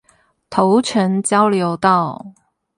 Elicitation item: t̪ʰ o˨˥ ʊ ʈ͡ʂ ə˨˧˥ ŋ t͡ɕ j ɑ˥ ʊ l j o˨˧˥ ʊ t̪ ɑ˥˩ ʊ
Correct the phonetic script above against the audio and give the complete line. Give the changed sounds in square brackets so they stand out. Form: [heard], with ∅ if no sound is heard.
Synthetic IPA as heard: t̪ʰ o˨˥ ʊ [ʈ͡ʂʰ] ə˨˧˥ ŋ t͡ɕ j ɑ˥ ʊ l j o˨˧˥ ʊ t̪ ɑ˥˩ ʊ